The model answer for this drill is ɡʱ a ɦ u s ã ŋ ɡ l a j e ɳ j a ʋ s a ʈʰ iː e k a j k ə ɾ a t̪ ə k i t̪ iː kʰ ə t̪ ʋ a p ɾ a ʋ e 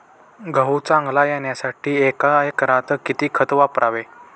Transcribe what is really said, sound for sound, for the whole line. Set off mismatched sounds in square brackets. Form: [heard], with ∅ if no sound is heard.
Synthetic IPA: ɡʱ [ə] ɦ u [t͡s] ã ŋ ɡ l a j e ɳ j a [∅] s a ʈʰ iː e k a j k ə ɾ a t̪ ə k i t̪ iː kʰ ə t̪ ʋ a p ɾ a ʋ e